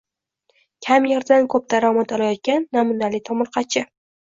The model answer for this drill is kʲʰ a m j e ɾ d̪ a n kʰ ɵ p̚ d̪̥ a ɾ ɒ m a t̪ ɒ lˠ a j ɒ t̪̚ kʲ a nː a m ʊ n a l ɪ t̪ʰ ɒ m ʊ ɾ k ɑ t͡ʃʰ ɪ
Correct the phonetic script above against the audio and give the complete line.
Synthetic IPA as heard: kʲʰ a m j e ɾ d̪ a n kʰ ɵ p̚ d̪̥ a ɾ ɒ m a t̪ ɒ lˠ a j ɒ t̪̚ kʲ a nː a m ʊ n a l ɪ t̪ʰ ɒ m ʊ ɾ q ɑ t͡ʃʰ ɪ